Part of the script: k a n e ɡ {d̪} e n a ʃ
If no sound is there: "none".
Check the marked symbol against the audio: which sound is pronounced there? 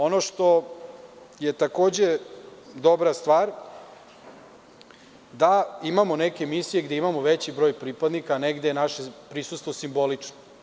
d̪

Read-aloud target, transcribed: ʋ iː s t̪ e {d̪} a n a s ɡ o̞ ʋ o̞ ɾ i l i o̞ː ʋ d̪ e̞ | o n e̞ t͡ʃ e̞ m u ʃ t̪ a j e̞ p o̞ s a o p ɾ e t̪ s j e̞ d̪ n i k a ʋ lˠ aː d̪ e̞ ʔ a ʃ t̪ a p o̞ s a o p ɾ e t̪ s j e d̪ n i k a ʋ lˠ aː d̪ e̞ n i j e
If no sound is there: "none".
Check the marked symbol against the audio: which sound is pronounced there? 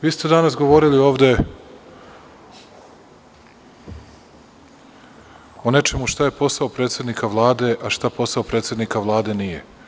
d̪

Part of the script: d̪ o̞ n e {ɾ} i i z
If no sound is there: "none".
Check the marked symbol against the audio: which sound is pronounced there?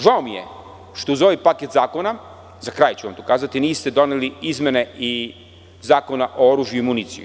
l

